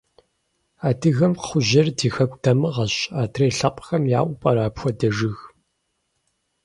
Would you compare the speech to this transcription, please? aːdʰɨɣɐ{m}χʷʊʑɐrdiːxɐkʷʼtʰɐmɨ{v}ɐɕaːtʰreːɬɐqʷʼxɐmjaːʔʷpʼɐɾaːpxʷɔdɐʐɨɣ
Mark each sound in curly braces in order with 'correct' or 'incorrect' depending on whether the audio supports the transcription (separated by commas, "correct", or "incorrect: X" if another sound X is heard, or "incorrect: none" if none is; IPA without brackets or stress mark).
correct, incorrect: ʁ